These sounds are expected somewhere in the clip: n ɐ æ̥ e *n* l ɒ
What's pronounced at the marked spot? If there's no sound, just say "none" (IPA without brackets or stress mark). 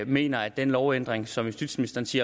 n